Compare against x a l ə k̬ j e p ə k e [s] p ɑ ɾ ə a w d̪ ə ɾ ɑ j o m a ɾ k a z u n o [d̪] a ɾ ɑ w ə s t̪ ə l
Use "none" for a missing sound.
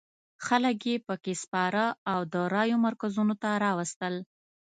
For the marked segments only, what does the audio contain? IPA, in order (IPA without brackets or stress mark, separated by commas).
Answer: s, t̪